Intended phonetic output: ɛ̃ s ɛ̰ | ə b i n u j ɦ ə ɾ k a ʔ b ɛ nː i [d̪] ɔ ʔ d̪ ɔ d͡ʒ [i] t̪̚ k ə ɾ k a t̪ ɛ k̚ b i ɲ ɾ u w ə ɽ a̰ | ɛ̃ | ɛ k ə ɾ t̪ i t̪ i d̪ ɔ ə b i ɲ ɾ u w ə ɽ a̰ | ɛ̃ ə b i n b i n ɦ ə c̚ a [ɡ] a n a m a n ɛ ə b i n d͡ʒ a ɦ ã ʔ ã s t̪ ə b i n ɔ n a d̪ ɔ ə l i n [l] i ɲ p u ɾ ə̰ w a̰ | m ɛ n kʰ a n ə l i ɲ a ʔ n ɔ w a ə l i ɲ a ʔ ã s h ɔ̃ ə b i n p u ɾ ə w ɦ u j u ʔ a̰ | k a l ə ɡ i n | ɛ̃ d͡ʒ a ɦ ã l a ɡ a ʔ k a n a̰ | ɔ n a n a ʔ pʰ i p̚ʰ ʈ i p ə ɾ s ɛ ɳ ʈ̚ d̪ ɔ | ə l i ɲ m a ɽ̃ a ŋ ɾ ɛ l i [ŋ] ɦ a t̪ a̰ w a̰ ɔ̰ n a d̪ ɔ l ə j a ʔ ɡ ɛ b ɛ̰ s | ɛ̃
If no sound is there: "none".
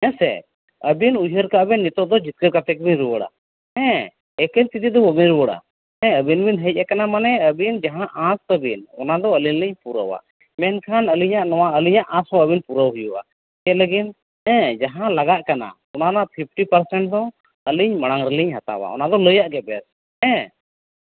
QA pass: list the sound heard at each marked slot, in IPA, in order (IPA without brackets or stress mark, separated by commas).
t̪, i, k, l, ɲ